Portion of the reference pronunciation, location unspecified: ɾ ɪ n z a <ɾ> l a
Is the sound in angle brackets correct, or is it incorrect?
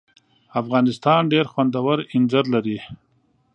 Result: correct